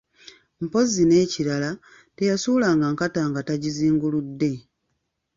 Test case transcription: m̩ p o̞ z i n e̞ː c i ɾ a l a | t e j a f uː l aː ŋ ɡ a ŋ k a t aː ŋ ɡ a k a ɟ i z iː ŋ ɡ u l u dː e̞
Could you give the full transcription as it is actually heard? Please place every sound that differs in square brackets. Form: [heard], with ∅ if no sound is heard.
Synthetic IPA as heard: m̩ p o̞ z i n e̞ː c i ɾ a l a | t e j a [s] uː l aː ŋ ɡ a ŋ k a t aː ŋ ɡ a [t] a ɟ i z iː ŋ ɡ u l u dː e̞